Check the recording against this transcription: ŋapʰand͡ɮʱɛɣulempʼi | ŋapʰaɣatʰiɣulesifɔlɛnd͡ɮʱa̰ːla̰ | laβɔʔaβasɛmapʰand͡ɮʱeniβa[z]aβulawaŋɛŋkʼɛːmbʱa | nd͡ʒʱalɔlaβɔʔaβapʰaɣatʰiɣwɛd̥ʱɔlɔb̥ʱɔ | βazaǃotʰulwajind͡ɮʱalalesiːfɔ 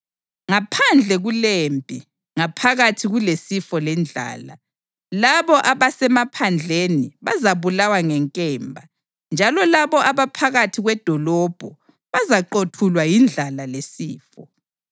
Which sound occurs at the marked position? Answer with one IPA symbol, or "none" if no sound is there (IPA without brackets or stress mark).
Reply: z